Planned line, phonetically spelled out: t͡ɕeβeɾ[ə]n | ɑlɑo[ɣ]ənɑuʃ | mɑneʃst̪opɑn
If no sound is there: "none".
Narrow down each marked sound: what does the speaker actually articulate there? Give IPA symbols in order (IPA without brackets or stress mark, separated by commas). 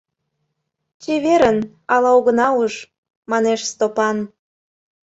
ə, ɣ